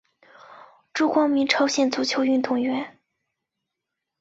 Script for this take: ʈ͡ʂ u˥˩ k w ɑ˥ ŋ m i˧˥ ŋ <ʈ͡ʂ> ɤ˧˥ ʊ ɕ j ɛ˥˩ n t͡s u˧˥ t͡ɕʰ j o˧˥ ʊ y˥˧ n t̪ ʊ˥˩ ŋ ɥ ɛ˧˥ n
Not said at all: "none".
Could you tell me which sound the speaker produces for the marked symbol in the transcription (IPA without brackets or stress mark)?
ʈ͡ʂʰ